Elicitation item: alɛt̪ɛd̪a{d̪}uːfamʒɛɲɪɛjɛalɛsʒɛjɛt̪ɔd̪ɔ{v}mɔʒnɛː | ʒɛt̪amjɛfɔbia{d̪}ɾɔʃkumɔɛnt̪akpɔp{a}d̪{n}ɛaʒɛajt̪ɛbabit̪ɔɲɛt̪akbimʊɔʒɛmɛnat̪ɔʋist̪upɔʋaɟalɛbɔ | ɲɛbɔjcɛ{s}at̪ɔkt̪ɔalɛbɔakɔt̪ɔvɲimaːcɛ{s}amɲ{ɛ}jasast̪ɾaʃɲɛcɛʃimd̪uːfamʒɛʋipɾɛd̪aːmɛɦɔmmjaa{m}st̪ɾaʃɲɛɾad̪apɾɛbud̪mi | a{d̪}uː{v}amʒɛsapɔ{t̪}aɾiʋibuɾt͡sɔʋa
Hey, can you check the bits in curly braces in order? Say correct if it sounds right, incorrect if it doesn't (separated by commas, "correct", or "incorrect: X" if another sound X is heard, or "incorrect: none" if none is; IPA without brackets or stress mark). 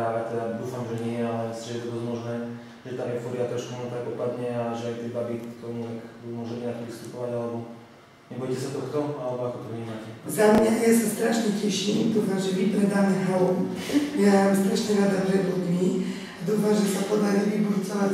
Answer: correct, incorrect: z, incorrect: t̪, correct, incorrect: ɲ, correct, incorrect: z, incorrect: a, correct, correct, incorrect: f, incorrect: d̪